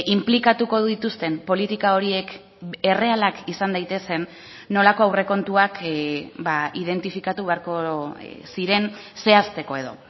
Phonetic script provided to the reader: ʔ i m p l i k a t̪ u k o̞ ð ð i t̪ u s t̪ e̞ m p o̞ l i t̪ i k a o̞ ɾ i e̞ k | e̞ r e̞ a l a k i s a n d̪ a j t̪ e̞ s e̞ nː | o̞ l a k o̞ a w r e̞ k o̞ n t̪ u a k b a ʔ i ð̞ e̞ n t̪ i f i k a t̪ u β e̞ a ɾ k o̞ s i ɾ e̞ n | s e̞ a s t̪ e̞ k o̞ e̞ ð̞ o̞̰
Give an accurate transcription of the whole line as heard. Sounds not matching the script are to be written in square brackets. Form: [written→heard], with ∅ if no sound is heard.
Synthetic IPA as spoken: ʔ i m p l i k a t̪ u k o̞ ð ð i t̪ u s t̪ e̞ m p o̞ l i t̪ i k a o̞ ɾ i e̞ k | e̞ r e̞ a l a k i s a n d̪ a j t̪ e̞ s e̞ nː | o̞ l a k o̞ a w r e̞ k o̞ n t̪ u a k b a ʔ i ð̞ e̞ n t̪ i f i k a t̪ u β e̞ a ɾ k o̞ s i ɾ e̞ n | s e̞ a s t̪ e̞ k o̞ e̞ ð̞ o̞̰